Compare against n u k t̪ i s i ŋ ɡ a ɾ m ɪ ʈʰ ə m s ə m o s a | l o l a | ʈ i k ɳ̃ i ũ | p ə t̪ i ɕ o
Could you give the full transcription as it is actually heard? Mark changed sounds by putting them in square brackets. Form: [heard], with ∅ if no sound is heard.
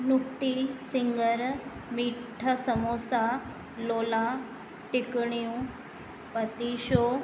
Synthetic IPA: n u k t̪ i s i ŋ ɡ [ə] ɾ m [i] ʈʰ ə [∅] s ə m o s a | l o l a | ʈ i k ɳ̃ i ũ | p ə t̪ i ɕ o

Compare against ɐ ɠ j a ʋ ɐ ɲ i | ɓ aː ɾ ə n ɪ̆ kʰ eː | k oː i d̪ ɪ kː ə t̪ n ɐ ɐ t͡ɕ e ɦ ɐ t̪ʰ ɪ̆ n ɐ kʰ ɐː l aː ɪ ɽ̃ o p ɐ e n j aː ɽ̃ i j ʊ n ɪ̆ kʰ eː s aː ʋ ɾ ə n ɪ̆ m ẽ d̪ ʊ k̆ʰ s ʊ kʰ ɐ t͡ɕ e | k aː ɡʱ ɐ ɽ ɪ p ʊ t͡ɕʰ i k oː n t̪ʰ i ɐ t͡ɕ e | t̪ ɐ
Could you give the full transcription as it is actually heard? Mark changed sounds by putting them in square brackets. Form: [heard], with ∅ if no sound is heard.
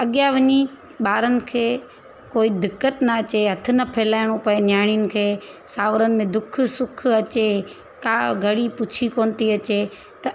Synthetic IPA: ɐ ɠ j a ʋ ɐ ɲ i | ɓ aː ɾ ə n ɪ̆ kʰ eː | k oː i d̪ ɪ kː ə t̪ n ɐ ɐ t͡ɕ e ɦ ɐ t̪ʰ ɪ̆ n ɐ [pʰ] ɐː l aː ɪ ɽ̃ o p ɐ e n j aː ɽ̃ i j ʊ n ɪ̆ kʰ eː s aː ʋ ɾ ə n ɪ̆ m ẽ d̪ ʊ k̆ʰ s ʊ kʰ ɐ t͡ɕ e | k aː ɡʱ ɐ ɽ [i] p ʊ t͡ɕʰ i k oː n [t̪] i ɐ t͡ɕ e | t̪ ɐ

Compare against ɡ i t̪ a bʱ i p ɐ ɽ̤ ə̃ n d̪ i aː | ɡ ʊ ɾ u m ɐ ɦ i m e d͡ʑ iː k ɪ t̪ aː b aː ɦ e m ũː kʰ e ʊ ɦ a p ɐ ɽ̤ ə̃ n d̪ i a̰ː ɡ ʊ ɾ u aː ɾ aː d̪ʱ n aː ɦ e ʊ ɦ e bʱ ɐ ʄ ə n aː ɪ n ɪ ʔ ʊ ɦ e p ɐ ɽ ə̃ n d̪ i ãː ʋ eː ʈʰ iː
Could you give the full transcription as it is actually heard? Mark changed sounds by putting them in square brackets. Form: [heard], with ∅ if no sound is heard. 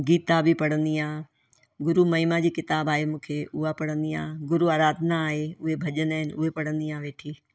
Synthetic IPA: ɡ [iː] t̪ a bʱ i p ɐ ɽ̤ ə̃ n d̪ i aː | ɡ ʊ ɾ u m ɐ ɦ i m [a] d͡ʑ iː k ɪ t̪ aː b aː ɦ e m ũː kʰ e ʊ ɦ a p ɐ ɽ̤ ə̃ n d̪ i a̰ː ɡ ʊ ɾ u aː ɾ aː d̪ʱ n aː ɦ e ʊ ɦ e bʱ ɐ ʄ ə n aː ɪ n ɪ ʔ ʊ ɦ e p ɐ ɽ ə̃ n d̪ i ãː ʋ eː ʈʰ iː

